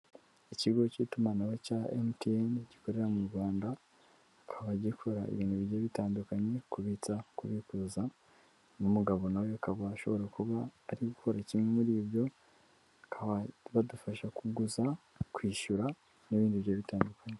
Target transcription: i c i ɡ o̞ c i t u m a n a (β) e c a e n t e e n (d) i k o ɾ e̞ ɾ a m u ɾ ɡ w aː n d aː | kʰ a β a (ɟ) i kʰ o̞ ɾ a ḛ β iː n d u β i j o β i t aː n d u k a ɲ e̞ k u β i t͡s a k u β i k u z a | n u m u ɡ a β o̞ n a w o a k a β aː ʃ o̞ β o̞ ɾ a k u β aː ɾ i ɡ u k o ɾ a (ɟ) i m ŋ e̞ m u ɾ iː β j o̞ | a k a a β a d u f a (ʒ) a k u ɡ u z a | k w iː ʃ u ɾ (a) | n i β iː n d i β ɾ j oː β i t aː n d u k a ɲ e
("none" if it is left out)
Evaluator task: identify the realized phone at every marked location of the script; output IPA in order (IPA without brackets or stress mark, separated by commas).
w, ɟ, ɟ, c, ʃ, a